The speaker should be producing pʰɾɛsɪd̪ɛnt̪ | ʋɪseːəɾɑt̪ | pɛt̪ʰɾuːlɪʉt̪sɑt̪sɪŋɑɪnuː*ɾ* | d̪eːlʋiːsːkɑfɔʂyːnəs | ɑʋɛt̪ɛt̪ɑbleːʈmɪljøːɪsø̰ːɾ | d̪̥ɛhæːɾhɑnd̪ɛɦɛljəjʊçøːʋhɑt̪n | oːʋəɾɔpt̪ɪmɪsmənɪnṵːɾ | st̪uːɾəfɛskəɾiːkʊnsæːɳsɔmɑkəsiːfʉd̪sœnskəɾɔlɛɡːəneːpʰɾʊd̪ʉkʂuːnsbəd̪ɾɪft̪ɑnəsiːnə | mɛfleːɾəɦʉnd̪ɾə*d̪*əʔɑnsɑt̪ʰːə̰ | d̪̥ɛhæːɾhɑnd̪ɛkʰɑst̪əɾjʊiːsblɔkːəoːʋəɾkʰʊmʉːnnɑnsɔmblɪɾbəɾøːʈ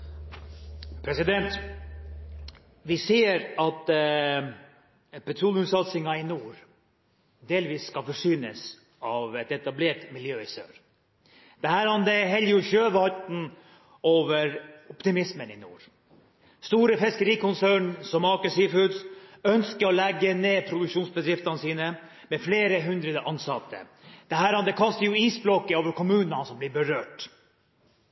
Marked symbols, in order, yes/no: yes, yes

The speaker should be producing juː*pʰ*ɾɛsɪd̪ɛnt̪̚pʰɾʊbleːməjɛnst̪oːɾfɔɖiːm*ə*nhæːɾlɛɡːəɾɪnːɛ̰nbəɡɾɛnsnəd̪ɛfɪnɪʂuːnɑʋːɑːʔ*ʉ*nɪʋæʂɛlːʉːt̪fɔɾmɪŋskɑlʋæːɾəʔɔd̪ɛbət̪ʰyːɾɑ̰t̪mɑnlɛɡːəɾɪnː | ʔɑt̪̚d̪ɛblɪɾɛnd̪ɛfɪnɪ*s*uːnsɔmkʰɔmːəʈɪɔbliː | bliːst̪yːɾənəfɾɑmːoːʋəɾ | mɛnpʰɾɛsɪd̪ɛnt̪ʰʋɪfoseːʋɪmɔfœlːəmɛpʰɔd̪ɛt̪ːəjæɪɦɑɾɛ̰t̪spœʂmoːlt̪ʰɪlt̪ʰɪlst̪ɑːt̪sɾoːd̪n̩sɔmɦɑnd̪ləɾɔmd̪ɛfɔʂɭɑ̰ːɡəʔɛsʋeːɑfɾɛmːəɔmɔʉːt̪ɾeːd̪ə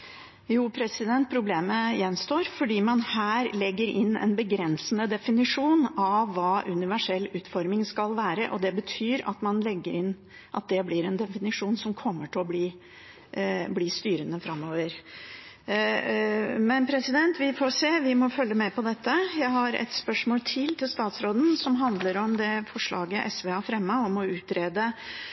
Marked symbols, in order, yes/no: yes, no, yes, no

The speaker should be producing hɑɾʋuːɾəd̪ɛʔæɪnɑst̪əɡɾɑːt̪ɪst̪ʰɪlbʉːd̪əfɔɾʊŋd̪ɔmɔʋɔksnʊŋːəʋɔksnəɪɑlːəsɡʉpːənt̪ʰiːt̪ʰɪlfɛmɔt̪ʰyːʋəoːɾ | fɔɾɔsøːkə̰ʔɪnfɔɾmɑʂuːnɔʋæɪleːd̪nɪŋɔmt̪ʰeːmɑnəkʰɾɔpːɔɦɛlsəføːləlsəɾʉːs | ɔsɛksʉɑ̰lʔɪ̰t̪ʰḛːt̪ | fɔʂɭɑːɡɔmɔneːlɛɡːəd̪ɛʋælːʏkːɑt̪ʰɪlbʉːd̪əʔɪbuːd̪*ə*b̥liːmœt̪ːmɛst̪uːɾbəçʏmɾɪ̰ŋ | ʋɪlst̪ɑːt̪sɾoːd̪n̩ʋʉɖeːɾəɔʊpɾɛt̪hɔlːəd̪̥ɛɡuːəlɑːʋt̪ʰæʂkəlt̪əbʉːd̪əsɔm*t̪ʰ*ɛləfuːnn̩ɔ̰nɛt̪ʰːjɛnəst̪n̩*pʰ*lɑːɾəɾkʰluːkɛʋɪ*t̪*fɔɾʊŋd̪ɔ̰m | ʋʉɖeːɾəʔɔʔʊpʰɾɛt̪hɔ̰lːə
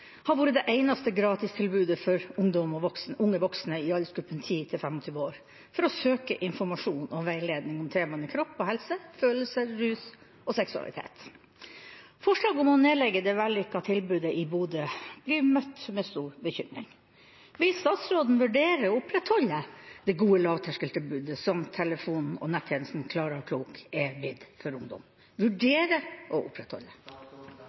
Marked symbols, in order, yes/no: yes, yes, no, no

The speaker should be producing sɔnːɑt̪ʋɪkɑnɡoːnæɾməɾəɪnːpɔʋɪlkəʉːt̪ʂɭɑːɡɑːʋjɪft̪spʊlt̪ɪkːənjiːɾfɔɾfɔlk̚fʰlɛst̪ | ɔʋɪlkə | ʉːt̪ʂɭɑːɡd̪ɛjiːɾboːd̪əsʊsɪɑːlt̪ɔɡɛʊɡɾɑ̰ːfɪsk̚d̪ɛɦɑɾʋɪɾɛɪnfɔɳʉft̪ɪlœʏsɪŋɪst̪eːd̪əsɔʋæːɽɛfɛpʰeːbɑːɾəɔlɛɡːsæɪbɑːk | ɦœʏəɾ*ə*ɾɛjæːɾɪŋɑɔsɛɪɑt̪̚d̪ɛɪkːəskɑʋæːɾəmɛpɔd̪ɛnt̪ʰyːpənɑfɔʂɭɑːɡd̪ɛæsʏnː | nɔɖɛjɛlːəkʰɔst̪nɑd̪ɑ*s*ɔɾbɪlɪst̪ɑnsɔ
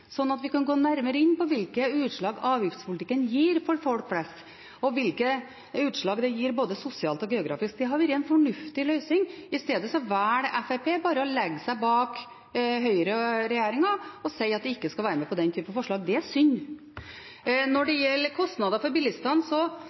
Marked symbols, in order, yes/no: yes, no

